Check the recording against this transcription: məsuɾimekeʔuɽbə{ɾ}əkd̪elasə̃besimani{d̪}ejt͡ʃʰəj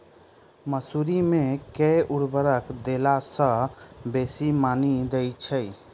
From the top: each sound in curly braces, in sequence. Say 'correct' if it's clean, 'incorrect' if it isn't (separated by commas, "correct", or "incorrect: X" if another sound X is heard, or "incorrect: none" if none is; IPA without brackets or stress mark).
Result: correct, correct